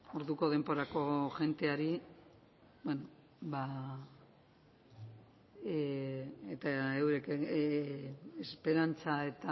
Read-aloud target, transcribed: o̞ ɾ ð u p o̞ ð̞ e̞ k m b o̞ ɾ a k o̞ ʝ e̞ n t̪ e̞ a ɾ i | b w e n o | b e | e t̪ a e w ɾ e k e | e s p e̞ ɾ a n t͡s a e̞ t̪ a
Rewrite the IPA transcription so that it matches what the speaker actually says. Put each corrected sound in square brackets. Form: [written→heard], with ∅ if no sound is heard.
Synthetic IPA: o̞ ɾ ð u [p→k] o̞ ð̞ e̞ [k→∅] m b o̞ ɾ a k o̞ ʝ e̞ n t̪ e̞ a ɾ i | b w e n o | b [e→a] | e t̪ a e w ɾ e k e | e s p e̞ ɾ a n t͡s a e̞ t̪ a